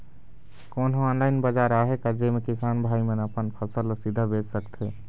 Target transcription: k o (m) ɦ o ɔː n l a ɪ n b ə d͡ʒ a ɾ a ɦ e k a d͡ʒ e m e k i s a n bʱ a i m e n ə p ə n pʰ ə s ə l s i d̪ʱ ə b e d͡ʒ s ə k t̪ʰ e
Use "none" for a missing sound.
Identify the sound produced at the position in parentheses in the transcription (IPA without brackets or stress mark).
n